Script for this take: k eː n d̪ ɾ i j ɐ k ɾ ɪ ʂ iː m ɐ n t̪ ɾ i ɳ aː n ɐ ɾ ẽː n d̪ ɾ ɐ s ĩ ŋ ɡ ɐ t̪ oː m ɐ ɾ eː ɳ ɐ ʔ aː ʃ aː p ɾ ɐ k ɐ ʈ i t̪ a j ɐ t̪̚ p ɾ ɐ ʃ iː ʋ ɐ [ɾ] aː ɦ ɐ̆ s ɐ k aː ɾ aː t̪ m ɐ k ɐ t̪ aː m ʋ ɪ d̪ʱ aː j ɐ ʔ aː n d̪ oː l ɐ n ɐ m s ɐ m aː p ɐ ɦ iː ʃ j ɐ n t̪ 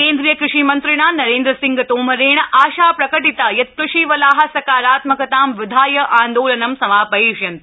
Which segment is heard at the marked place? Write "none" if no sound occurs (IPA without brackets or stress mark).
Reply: l